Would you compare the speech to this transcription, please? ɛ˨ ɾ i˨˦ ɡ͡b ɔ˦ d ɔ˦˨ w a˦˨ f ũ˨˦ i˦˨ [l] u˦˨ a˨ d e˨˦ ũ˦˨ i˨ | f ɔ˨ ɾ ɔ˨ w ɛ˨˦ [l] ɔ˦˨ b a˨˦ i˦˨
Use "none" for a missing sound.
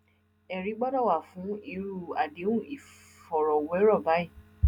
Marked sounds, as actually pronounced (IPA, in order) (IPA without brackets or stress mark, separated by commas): ɾ, ɾ